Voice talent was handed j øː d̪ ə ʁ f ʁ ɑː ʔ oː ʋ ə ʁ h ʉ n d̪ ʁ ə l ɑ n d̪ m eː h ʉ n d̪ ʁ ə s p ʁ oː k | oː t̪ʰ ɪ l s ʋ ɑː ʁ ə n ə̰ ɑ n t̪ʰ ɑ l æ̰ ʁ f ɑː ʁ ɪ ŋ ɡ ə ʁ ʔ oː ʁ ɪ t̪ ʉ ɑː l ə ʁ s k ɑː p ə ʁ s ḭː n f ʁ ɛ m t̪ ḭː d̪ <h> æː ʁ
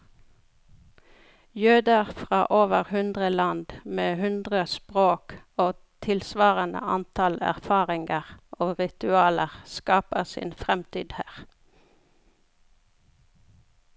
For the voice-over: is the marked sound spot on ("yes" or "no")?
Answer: yes